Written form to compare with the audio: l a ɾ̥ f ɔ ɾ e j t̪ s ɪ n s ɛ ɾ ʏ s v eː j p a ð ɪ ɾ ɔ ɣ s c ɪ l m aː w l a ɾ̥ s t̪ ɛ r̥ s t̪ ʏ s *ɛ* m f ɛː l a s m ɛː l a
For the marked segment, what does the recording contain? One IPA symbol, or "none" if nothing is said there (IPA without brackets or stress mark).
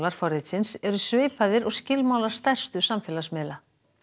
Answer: a